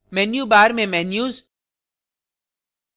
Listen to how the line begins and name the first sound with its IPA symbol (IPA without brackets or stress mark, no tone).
m